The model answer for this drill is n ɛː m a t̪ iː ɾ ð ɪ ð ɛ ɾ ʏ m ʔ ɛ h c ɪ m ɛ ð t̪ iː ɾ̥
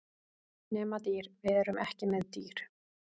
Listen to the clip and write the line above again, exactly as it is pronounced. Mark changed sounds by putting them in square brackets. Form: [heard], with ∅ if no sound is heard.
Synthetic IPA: n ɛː m a t̪ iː ɾ [v] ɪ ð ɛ ɾ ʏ m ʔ ɛ h c ɪ m ɛ ð t̪ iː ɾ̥